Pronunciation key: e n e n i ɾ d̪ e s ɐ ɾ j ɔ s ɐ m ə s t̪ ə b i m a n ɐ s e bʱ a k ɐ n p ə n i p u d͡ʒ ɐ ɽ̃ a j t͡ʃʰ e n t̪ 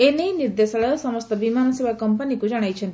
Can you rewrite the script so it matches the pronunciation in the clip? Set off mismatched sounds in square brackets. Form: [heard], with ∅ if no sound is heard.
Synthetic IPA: e n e n i ɾ d̪ e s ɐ [ɭ] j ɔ s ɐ m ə s t̪ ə b i m a n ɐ s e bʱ a k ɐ [m] p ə n i [k] u d͡ʒ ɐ ɽ̃ a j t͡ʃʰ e n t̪